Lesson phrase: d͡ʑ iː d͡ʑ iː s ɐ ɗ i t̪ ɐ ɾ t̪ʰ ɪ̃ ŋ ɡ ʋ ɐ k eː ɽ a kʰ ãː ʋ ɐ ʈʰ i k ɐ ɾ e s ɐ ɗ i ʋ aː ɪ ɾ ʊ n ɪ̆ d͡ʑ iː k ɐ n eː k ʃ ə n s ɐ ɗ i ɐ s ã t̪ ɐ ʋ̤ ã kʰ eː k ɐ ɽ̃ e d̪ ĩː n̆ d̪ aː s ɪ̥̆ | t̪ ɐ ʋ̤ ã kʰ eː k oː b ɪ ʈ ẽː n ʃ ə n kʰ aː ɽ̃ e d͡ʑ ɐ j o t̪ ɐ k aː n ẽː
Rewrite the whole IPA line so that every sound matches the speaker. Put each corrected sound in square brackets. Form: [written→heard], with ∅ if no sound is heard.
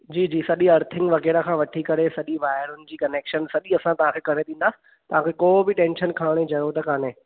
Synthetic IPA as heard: d͡ʑ iː d͡ʑ iː s ɐ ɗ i [t̪→∅] ɐ ɾ t̪ʰ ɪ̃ ŋ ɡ ʋ ɐ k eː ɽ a kʰ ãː ʋ ɐ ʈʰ i k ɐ ɾ e s ɐ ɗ i ʋ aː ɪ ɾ ʊ n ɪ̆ d͡ʑ iː k ɐ n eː k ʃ ə n s ɐ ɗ i ɐ s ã t̪ ɐ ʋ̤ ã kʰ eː k ɐ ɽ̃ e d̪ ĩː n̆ d̪ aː s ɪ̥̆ | t̪ ɐ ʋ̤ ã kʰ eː k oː b ɪ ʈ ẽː n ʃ ə n kʰ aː ɽ̃ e d͡ʑ ɐ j o t̪ ɐ k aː n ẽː